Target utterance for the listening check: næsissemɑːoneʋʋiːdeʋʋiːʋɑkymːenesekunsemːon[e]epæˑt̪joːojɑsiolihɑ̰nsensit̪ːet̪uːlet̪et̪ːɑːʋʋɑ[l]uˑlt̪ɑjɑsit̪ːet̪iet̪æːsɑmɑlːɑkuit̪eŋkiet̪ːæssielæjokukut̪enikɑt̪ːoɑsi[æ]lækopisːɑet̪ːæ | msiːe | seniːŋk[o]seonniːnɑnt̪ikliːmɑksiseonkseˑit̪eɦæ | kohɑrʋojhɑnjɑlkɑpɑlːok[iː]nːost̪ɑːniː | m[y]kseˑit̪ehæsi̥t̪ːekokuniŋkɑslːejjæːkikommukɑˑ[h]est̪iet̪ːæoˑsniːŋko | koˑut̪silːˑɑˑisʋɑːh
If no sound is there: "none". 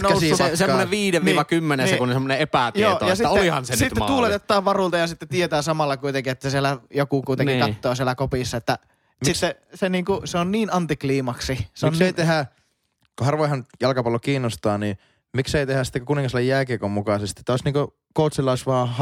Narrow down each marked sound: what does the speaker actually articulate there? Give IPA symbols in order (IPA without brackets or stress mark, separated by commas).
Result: e, r, e, u, iː, i, s